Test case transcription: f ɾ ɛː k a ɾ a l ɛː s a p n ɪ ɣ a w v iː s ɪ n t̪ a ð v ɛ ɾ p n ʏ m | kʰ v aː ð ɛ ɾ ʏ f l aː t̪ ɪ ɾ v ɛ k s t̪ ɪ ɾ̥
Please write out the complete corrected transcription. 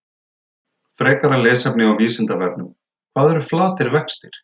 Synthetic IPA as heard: f ɾ ɛː k a ɾ a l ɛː s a p n ɪ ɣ a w v iː s ɪ n t̪ a v ɛ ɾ p n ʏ m | kʰ v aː ð ɛ ɾ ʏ f l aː t̪ ɪ ɾ v ɛ k s t̪ ɪ ɾ̥